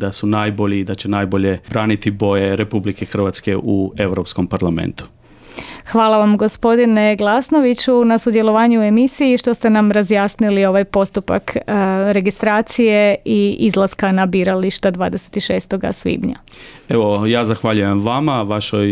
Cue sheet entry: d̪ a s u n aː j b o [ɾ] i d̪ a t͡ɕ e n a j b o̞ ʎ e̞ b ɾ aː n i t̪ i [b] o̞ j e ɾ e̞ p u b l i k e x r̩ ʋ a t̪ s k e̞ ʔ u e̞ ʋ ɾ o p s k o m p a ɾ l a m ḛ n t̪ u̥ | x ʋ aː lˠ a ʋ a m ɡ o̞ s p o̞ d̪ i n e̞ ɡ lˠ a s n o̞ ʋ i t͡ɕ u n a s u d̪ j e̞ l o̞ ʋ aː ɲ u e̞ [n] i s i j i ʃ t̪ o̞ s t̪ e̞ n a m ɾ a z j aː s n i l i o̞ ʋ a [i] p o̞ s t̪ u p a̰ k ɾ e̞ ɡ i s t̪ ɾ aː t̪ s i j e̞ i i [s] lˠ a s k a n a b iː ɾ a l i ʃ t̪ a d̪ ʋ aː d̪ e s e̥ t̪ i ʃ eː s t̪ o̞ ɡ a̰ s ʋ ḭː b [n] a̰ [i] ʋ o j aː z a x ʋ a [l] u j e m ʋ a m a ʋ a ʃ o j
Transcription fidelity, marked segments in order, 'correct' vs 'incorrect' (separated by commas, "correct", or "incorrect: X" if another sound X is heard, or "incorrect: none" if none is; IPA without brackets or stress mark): incorrect: ʎ, correct, incorrect: m, incorrect: j, incorrect: z, incorrect: ɲ, incorrect: e, incorrect: ʎ